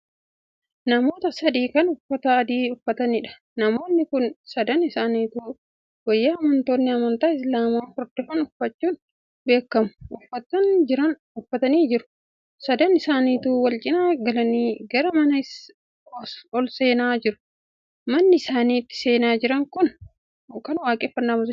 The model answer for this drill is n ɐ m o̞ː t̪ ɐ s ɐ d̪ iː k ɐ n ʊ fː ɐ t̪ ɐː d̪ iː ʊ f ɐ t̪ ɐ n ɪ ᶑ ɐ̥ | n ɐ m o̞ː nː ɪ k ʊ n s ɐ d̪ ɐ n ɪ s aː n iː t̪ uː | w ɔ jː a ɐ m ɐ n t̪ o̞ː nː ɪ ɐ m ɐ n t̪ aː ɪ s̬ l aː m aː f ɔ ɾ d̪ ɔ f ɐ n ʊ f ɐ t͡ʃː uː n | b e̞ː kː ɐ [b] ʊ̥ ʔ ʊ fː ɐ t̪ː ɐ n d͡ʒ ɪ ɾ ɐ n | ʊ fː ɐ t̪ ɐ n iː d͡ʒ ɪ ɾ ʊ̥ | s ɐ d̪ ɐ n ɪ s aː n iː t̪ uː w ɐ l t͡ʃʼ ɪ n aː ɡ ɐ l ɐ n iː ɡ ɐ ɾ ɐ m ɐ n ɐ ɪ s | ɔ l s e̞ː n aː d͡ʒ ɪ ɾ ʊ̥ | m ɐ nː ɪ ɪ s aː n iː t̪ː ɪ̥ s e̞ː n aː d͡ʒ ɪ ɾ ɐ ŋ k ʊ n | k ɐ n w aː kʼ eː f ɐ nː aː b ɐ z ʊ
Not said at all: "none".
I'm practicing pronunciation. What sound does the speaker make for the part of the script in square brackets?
m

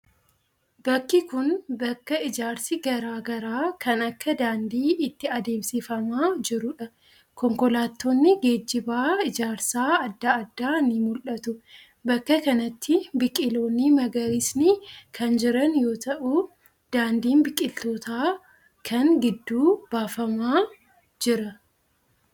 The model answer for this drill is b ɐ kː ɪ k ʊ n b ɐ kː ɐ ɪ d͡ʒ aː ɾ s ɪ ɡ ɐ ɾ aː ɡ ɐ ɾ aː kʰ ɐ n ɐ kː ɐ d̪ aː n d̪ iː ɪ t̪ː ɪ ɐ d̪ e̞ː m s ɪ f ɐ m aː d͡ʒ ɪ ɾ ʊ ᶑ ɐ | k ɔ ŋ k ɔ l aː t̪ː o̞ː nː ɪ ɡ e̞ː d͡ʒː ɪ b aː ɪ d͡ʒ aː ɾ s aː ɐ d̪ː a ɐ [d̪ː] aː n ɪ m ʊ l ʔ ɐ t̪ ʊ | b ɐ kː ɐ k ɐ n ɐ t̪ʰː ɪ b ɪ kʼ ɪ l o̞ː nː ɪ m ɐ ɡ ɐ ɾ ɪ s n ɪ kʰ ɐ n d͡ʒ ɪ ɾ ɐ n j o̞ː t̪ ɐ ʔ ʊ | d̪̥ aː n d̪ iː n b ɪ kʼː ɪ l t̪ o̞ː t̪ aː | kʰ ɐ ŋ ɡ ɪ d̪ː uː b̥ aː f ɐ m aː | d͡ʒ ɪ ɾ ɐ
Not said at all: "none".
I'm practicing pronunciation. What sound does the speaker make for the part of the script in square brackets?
d̪ː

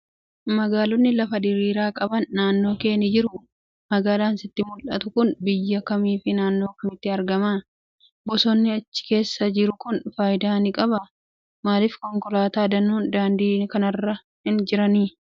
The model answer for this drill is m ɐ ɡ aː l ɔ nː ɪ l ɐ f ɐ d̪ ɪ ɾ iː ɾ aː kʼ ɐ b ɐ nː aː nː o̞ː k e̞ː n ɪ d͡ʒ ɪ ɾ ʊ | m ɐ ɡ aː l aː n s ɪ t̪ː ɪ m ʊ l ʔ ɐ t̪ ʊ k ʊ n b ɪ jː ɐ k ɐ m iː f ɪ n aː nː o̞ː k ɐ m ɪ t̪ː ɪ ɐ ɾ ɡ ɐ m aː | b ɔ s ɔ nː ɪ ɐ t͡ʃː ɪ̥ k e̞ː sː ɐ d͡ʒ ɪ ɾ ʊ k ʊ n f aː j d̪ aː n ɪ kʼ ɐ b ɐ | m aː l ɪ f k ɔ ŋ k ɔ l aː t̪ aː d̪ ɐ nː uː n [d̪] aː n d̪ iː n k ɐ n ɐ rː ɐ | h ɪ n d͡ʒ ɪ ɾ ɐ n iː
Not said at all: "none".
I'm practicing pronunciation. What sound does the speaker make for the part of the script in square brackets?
d̪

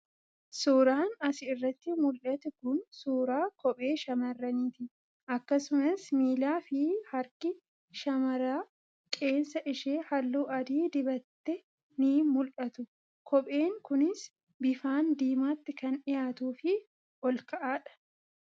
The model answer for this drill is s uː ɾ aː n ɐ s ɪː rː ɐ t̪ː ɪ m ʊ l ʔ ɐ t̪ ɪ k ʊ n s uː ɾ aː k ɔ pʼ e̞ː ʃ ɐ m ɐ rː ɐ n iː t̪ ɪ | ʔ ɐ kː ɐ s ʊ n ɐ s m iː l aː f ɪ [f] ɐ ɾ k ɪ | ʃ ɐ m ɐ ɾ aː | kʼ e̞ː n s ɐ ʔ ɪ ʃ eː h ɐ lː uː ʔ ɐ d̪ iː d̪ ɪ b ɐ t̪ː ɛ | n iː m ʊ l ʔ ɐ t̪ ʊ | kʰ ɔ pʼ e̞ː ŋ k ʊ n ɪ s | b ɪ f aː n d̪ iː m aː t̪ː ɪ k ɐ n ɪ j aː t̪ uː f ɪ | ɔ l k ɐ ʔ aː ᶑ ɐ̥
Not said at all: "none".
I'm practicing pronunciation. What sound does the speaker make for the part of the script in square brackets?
h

